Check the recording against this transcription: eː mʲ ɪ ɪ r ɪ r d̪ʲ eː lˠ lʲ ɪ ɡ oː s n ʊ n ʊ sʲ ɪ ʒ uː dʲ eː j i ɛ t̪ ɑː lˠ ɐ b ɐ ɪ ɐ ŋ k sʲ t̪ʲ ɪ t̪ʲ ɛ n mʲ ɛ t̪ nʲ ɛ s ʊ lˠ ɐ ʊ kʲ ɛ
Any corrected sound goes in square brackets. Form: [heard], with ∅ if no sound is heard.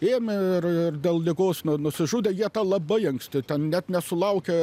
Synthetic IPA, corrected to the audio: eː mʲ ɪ ɪ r ɪ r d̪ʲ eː lˠ lʲ ɪ ɡ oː s n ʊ n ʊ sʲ ɪ ʒ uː dʲ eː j i ɛ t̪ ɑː lˠ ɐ b ɐ ɪ ɐ ŋ k sʲ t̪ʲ ɪ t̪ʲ ɛ n [nʲ] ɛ t̪ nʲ ɛ s ʊ lˠ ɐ ʊ kʲ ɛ